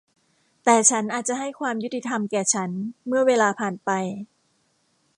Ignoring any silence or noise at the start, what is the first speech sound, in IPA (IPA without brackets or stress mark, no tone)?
t̪